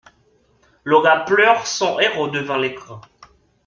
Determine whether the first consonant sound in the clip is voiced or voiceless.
voiced